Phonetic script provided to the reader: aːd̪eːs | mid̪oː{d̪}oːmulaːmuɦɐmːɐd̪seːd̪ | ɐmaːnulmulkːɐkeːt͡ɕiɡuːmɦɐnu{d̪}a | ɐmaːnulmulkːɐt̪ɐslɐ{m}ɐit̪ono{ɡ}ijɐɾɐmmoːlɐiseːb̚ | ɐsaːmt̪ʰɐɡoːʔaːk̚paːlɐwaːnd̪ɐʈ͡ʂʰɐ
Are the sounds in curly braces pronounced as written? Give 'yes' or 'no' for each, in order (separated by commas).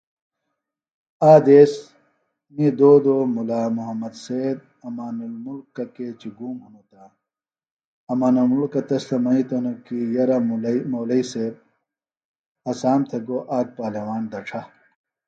yes, no, yes, no